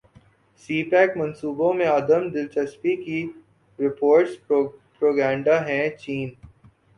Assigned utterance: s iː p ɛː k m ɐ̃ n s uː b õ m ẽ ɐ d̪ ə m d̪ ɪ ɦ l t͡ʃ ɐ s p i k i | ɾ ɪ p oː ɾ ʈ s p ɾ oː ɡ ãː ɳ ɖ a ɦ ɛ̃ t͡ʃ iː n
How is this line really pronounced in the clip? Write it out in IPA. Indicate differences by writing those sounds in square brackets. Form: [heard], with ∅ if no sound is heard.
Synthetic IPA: s iː p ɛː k m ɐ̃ n s uː b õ m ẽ ɐ d̪ ə m d̪ ɪ [∅] l t͡ʃ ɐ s p i k i | ɾ ɪ p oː ɾ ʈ s p ɾ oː ɡ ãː ɳ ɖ a ɦ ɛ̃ t͡ʃ iː n